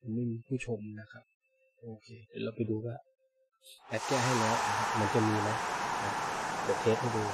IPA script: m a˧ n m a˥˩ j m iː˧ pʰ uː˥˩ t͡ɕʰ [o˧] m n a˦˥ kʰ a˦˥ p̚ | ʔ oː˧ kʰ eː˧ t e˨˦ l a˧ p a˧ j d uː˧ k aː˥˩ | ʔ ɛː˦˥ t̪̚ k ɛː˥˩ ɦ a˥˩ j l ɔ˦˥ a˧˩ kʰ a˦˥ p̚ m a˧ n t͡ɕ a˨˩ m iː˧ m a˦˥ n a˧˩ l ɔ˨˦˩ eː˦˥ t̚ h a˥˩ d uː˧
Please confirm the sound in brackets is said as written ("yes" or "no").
yes